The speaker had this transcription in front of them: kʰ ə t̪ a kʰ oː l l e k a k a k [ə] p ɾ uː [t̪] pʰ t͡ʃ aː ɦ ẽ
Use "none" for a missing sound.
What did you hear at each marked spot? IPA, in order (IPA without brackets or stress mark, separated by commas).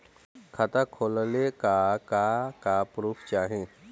a, none